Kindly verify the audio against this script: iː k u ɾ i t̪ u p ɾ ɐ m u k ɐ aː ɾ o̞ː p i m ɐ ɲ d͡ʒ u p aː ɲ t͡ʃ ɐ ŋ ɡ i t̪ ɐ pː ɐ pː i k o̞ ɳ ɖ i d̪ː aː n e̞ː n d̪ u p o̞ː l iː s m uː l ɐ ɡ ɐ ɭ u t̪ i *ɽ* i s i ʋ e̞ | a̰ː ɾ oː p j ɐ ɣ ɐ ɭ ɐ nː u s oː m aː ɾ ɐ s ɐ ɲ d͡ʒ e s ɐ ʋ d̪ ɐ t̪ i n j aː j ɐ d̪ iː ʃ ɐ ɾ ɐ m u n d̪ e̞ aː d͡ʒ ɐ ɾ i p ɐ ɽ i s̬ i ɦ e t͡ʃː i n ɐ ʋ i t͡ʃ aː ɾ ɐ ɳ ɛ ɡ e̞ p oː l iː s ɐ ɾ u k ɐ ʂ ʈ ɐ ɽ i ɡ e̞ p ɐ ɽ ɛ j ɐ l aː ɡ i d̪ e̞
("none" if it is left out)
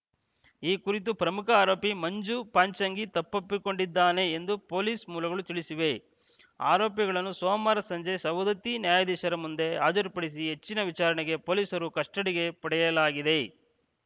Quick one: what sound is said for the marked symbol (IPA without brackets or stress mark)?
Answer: ɭ